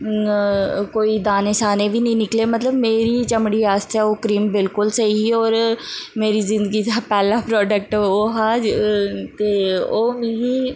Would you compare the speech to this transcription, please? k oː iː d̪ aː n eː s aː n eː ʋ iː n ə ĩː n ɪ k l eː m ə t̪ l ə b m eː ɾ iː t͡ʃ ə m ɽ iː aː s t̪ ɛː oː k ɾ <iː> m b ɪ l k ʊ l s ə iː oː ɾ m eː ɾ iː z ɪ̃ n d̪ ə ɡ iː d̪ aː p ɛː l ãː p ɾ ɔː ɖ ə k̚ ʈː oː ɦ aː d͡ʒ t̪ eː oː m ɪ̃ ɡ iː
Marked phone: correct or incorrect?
correct